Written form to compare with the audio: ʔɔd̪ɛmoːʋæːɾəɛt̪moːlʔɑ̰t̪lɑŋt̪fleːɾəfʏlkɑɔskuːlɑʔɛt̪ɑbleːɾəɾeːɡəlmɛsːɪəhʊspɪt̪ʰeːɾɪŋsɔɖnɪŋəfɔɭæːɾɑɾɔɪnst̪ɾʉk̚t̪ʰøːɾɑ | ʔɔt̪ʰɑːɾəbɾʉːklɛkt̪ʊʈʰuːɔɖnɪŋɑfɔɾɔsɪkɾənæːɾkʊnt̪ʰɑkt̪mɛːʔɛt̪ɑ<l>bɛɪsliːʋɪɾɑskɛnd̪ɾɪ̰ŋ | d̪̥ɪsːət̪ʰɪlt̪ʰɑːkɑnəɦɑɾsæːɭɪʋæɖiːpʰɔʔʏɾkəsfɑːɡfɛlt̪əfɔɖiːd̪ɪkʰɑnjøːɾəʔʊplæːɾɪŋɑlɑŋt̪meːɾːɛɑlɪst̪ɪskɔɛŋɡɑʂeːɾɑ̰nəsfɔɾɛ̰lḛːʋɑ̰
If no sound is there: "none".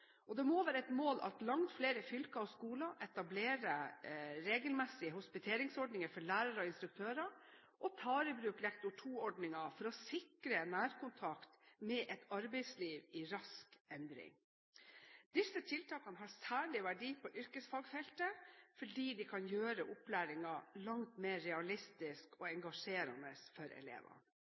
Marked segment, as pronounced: ɾ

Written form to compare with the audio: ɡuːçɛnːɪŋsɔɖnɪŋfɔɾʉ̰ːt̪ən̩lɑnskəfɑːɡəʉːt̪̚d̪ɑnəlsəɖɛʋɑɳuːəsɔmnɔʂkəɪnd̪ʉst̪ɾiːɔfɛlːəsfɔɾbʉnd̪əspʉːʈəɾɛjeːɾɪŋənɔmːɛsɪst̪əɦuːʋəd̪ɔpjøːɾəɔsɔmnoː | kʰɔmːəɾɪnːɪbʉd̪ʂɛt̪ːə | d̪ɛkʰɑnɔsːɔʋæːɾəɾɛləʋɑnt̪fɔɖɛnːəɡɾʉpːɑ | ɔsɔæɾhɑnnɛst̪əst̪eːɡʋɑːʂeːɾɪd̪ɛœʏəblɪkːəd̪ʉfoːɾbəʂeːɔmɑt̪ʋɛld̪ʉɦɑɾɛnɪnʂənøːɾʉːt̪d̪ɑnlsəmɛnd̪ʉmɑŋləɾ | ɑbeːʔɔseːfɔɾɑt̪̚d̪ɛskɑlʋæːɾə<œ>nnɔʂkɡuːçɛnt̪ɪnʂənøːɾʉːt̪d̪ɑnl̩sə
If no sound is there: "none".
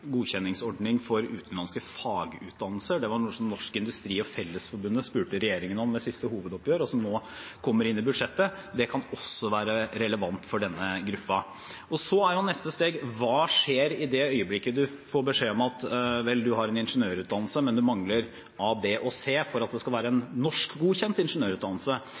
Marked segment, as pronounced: ɛ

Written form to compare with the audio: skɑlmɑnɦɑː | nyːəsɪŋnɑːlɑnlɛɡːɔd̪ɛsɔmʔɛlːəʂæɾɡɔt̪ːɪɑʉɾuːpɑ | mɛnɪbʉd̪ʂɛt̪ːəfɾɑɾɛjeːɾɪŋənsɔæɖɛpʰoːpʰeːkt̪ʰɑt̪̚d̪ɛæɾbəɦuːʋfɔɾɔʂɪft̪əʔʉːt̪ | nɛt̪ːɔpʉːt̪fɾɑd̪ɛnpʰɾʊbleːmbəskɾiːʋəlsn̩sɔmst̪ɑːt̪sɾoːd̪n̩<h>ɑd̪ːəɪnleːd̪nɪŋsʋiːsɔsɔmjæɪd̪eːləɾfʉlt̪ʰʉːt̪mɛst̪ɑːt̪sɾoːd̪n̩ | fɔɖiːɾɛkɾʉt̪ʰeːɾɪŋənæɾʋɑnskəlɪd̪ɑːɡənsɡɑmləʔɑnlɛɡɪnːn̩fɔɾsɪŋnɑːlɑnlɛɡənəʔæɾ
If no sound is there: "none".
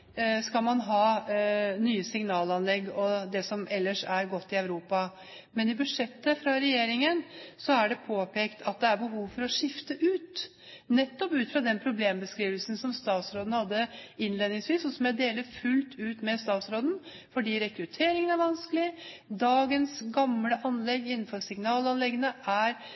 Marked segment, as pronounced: h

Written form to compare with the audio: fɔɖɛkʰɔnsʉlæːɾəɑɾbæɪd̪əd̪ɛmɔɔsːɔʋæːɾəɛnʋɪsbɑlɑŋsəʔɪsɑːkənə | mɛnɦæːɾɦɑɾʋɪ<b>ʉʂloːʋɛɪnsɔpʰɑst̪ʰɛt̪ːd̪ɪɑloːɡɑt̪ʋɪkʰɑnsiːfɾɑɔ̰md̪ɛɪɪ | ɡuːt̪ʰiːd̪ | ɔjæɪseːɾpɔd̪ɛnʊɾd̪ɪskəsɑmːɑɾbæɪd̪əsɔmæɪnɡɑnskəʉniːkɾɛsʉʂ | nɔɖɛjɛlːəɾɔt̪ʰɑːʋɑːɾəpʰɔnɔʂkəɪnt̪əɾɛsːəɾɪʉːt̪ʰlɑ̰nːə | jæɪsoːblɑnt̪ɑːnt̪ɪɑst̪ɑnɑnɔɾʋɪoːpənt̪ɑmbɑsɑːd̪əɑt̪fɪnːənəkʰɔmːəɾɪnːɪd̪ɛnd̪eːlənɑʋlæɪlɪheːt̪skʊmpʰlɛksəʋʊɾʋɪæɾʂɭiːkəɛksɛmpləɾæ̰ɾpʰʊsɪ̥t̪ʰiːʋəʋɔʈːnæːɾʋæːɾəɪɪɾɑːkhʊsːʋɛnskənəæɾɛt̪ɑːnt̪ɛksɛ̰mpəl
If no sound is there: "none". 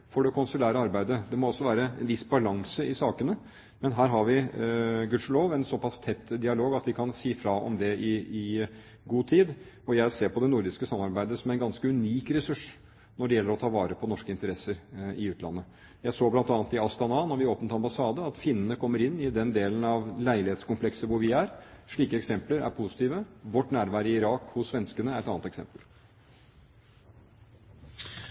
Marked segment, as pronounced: ɡ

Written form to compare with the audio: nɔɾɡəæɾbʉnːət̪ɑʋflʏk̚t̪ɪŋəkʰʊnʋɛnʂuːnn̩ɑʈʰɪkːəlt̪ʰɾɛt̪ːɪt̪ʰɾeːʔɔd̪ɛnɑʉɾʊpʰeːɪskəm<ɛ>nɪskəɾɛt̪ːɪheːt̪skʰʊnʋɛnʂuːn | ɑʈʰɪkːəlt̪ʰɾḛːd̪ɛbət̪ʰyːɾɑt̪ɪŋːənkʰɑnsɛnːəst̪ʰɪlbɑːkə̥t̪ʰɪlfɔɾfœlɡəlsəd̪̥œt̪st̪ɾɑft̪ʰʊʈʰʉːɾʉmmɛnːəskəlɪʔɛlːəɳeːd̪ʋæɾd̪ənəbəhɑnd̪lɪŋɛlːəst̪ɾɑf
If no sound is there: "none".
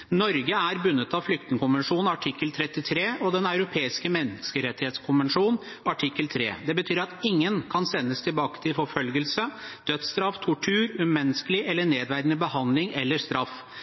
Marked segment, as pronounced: ɛ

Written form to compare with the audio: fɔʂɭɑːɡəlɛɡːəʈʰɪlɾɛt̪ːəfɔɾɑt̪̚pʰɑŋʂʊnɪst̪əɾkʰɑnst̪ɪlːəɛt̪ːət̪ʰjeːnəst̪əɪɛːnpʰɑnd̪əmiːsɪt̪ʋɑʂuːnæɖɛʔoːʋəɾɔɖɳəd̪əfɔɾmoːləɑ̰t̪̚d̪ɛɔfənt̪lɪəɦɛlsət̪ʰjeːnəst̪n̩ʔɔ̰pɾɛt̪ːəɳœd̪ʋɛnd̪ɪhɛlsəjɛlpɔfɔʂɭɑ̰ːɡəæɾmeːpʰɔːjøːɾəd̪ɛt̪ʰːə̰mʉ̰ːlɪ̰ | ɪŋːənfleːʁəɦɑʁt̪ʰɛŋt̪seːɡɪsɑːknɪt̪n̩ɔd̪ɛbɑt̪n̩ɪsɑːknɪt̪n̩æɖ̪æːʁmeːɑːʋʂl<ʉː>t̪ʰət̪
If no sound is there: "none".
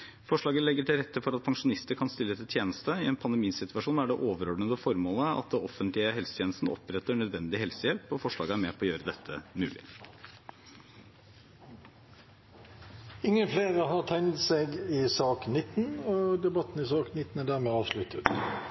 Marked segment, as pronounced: ʉ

